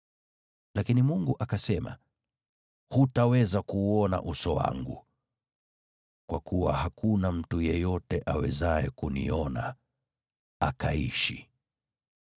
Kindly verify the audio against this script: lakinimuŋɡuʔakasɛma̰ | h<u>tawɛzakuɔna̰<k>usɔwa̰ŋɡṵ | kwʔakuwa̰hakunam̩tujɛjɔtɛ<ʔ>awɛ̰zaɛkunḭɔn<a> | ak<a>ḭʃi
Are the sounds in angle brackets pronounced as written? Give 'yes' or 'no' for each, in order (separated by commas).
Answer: yes, no, yes, yes, yes